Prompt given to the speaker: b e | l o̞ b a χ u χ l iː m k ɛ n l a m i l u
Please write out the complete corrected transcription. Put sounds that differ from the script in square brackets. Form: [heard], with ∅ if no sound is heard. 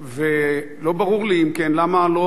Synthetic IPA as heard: [v] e | l o̞ b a [ʁ] u [ʁ] l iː m k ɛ n l a m [a] l [o]